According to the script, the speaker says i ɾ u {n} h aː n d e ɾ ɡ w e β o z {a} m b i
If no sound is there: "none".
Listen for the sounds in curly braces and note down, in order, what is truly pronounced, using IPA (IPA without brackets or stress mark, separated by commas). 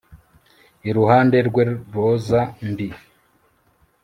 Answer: none, a